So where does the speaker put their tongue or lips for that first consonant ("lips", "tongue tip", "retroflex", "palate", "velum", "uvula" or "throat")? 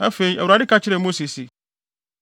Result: lips